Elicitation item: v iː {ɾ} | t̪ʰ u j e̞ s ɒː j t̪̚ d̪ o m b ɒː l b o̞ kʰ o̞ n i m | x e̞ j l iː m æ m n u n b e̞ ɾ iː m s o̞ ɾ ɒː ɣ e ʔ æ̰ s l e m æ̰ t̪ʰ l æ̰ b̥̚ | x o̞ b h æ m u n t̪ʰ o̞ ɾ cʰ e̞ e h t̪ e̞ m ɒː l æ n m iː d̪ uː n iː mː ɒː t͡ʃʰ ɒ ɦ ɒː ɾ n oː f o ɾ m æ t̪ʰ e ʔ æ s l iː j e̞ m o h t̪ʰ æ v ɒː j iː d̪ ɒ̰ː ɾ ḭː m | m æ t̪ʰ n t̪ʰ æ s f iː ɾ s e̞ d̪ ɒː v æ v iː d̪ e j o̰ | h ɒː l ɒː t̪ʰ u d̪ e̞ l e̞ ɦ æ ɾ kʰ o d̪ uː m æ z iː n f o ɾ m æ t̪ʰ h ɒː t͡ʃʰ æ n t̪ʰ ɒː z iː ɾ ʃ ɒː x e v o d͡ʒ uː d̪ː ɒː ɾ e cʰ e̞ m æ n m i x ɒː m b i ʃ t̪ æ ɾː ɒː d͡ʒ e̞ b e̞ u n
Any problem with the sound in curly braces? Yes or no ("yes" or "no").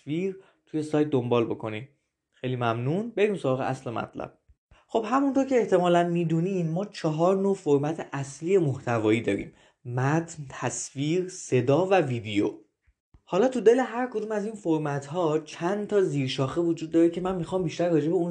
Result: no